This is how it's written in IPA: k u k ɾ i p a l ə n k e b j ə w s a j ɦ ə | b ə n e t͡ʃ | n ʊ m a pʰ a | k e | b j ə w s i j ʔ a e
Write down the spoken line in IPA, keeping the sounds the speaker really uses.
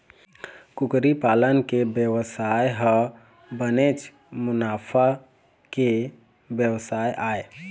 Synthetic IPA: k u k ɾ i p a l ə n k e b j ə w s a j ɦ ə | b ə n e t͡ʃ | m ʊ n a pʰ a | k e | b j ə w s a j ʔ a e